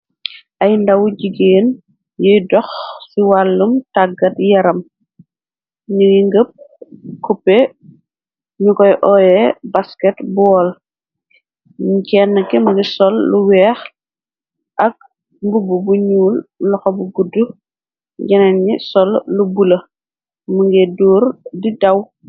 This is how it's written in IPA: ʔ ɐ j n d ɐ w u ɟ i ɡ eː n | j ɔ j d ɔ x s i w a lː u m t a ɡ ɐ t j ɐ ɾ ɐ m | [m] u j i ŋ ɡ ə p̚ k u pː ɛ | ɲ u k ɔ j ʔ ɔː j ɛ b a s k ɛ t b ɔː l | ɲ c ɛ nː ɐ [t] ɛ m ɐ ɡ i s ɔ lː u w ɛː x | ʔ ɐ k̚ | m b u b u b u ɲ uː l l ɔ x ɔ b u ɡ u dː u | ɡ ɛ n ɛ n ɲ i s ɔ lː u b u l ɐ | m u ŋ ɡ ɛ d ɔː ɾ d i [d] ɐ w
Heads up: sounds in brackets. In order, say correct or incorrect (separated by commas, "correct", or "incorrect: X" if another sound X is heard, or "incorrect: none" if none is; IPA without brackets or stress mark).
incorrect: ɲ, incorrect: k, correct